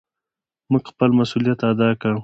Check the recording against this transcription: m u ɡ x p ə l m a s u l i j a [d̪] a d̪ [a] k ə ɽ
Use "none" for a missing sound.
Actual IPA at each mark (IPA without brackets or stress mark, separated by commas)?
t̪, ɑ